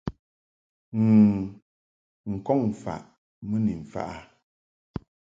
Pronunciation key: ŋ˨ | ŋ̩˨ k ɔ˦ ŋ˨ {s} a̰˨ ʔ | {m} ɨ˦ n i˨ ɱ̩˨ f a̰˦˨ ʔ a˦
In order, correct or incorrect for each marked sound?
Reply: incorrect, correct

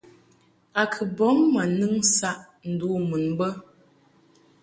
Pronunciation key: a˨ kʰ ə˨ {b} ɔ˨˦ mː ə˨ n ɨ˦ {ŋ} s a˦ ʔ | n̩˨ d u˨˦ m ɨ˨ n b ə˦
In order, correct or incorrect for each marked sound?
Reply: correct, correct

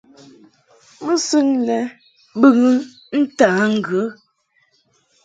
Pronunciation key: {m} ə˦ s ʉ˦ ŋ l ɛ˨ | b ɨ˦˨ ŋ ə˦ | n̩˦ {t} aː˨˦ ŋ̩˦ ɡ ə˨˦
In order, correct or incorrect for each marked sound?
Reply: correct, correct

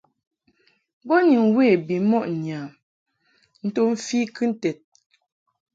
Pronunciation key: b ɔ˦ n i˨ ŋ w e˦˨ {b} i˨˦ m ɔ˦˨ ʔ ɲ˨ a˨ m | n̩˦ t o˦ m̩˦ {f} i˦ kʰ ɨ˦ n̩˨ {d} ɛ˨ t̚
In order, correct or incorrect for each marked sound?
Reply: correct, correct, incorrect

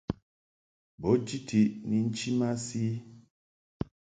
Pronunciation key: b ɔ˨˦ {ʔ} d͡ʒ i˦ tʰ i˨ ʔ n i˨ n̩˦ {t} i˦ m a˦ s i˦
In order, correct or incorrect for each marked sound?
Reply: incorrect, incorrect

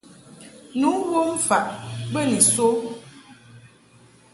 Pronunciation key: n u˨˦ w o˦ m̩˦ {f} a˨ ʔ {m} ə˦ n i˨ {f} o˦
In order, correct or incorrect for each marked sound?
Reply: correct, incorrect, incorrect

